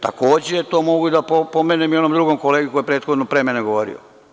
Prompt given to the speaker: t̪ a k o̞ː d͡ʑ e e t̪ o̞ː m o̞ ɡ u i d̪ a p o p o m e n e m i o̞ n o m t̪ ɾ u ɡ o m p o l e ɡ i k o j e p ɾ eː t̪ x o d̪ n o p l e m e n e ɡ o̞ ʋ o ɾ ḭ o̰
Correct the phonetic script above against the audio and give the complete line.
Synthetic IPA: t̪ a k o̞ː d͡ʑ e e t̪ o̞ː m o̞ ɡ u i d̪ a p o p o m e n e m i o̞ n o m d̪ ɾ u ɡ o m k o l e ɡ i k o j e p ɾ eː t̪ x o d̪ n o p ɾ e m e n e ɡ o̞ ʋ o ɾ ḭ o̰

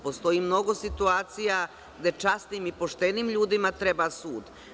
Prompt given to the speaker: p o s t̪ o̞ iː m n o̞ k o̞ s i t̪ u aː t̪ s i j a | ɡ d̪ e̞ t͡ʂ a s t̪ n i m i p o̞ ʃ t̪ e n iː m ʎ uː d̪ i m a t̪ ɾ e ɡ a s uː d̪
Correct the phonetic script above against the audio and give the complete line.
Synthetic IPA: p o s t̪ o̞ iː m n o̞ ɡ o̞ s i t̪ u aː t̪ s i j a | ɡ d̪ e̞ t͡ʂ a s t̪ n i m i p o̞ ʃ t̪ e n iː m ʎ uː d̪ i m a t̪ ɾ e b a s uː d̪

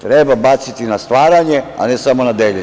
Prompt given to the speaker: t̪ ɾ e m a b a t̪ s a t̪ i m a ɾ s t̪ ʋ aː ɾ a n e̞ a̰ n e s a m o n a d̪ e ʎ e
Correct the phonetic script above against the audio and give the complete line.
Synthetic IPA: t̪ ɾ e b a b a t̪ s i t̪ i n a s t̪ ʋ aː ɾ a ɲ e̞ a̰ n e s a m o n a d̪ e ʎ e

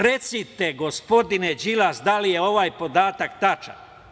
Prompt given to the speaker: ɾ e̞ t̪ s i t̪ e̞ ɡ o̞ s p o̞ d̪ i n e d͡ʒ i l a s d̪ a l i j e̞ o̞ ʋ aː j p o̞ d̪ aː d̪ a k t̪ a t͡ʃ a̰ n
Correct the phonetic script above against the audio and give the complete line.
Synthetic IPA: ɾ e̞ t̪ s i t̪ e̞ ɡ o̞ s p o̞ d̪ i n e d͡ʒ i l a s d̪ a l i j e̞ o̞ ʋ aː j p o̞ d̪ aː t̪ a k t̪ a t͡ʃ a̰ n

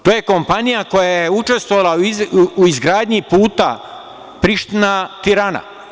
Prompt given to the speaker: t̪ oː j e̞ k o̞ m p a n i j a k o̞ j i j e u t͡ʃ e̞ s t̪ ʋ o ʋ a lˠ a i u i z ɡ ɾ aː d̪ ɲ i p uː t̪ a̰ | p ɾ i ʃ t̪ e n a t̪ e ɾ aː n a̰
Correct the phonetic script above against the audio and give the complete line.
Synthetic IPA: t̪ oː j e̞ k o̞ m p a n i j a k o̞ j a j e u t͡ʃ e̞ s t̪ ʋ o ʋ a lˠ a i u i z ɡ ɾ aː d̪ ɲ i p uː t̪ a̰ | p ɾ i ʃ t̪ i n a t̪ i ɾ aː n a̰

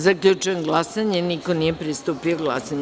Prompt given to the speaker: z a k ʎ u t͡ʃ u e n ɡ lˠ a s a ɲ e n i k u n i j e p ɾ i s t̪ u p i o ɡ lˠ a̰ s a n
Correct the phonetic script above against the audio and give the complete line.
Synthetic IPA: z a k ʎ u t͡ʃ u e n ɡ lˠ a s a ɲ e n i k o n i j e p ɾ i s t̪ u p i o ɡ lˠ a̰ s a ɲ

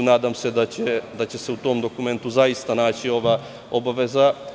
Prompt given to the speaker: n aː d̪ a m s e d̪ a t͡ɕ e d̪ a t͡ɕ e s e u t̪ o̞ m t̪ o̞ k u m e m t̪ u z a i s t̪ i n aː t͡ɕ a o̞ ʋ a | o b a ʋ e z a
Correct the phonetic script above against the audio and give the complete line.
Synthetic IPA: n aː d̪ a m s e d̪ a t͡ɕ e d̪ a t͡ɕ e s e u t̪ o̞ m d̪ o̞ k u m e n t̪ u z a i s t̪ a n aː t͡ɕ i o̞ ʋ a | o b a ʋ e z a

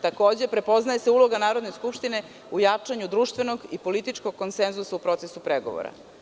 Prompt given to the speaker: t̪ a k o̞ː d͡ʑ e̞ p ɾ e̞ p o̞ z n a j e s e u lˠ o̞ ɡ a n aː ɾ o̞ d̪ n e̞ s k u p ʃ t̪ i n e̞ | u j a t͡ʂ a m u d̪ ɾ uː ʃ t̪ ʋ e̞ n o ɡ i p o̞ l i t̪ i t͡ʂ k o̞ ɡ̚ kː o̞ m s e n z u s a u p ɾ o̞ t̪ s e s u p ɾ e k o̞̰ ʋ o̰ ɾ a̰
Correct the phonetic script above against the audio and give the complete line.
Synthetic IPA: t̪ a k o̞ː d͡ʑ e̞ p ɾ e̞ p o̞ z n a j e s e u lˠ o̞ ɡ a n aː ɾ o̞ d̪ n e̞ s k u p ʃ t̪ i n e̞ | u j a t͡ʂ a ɲ u d̪ ɾ uː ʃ t̪ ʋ e̞ n o ɡ i p o̞ l i t̪ i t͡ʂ k o̞ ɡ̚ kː o̞ n s e n z u s a u p ɾ o̞ t̪ s e s u p ɾ e ɡ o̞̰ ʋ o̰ ɾ a̰

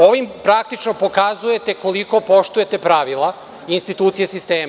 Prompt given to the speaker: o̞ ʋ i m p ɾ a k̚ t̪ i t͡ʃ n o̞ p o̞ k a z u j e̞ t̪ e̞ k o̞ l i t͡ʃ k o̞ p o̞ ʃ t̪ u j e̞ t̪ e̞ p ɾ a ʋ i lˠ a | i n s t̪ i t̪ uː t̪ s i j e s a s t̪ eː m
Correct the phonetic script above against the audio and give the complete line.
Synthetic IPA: o̞ ʋ i m p ɾ a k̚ t̪ i t͡ʃ n o̞ p o̞ k a z u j e̞ t̪ e̞ k o̞ l i k o̞ p o̞ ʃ t̪ u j e̞ t̪ e̞ p ɾ a ʋ i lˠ a | i n s t̪ i t̪ uː t̪ s i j e s i s t̪ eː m

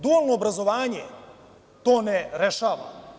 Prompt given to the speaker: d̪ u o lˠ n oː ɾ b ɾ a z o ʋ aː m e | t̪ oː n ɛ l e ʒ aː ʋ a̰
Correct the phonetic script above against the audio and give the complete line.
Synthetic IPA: d̪ u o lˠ n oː b ɾ a z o ʋ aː ɲ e | t̪ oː n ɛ ɾ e ʃ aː ʋ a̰

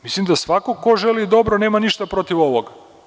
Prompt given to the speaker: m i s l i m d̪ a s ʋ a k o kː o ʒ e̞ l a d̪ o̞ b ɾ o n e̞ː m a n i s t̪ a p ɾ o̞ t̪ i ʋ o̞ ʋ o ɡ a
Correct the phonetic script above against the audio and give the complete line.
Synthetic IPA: m i s l i m d̪ a s ʋ a k o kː o ʒ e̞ l i d̪ o̞ b ɾ o n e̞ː m a n i ʃ t̪ a p ɾ o̞ t̪ i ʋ o̞ ʋ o ɡ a

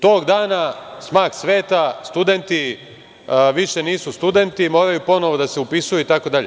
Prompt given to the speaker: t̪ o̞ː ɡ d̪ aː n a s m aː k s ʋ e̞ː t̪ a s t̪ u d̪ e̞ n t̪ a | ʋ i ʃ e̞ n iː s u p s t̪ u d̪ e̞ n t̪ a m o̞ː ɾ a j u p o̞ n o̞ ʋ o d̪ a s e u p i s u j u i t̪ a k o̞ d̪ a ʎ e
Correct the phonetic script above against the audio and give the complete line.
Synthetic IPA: t̪ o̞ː ɡ d̪ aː n a s m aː k s ʋ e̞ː t̪ a s t̪ u d̪ e̞ n t̪ i | ʋ i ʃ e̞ n iː s u s t̪ u d̪ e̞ n t̪ i m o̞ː ɾ a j u p o̞ n o̞ ʋ o d̪ a s e u p i s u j u i t̪ a k o̞ d̪ a ʎ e

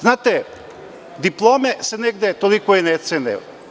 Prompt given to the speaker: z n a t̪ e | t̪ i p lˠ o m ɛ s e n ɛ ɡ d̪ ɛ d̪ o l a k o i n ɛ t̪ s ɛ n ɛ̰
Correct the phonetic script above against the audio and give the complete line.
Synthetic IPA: z n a t̪ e | d̪ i p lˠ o m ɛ s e n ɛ ɡ d̪ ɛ t̪ o l i k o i n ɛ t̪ s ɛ n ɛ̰

